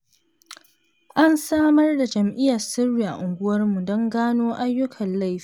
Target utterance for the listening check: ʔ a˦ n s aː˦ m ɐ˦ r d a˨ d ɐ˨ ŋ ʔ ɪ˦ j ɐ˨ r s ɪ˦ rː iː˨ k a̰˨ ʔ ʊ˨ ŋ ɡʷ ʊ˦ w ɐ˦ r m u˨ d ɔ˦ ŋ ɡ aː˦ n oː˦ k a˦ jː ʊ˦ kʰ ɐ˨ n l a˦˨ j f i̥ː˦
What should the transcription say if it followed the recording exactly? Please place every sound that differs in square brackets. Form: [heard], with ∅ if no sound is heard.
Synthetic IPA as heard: ʔ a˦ n s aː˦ m ɐ˦ r d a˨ [d͡ʒ] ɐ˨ [m] ʔ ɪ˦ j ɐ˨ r s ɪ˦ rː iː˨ [ʔ] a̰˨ ʔ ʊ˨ ŋ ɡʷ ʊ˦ w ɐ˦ r m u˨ d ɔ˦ ŋ ɡ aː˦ n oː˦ [ʔ] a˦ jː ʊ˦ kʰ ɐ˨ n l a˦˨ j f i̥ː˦